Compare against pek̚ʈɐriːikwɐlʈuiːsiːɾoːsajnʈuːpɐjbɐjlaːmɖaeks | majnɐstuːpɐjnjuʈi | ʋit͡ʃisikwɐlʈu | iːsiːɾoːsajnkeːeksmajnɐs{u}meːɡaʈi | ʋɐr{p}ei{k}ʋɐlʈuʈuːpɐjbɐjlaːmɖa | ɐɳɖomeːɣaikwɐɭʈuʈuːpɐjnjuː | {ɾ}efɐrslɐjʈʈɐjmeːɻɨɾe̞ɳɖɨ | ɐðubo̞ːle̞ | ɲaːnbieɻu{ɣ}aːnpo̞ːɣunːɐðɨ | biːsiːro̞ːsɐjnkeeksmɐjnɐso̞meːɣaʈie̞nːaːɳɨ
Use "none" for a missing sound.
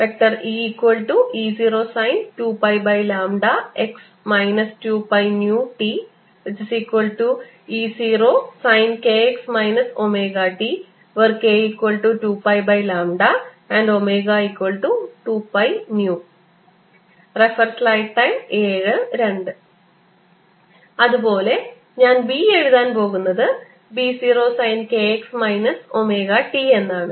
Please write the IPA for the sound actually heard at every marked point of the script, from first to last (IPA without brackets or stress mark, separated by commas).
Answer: o, k, k, r, ð